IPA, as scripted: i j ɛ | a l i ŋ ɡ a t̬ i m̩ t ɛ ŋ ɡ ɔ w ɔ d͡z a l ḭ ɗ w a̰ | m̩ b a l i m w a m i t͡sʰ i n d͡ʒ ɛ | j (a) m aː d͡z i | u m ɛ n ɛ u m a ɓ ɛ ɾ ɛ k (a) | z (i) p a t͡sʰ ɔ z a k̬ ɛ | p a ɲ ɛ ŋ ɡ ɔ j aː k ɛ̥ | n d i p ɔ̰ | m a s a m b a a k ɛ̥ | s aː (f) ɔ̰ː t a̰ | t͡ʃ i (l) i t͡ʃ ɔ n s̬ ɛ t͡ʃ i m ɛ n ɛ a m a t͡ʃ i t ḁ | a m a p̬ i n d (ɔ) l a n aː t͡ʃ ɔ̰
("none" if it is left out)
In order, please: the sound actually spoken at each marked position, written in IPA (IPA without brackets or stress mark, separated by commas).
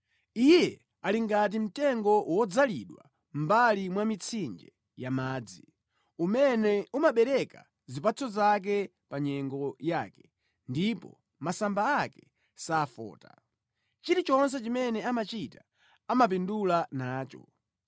a, a, i, f, ɾ, u